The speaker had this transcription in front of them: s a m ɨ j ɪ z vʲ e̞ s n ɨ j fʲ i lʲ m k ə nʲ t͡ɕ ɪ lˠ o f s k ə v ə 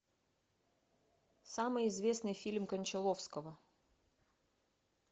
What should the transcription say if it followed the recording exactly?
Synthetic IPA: s a m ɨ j ɪ z vʲ e̞ s n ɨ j fʲ i lʲ m k ə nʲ t͡ɕ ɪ lˠ o f s k ə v ə